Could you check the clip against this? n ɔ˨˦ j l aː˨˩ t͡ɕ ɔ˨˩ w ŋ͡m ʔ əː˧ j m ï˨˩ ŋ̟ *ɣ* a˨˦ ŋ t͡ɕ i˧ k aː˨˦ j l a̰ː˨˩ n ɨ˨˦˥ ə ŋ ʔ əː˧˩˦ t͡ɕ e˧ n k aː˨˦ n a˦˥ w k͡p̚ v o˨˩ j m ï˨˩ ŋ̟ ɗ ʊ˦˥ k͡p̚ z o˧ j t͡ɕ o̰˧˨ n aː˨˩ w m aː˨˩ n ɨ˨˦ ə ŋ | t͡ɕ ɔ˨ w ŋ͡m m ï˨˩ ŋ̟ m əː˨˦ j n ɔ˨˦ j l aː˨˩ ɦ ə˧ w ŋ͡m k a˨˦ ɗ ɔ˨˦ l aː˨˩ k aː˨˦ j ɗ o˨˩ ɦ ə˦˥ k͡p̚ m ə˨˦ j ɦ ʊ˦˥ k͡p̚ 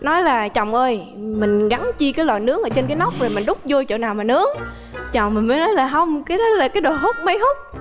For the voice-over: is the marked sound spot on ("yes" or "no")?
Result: yes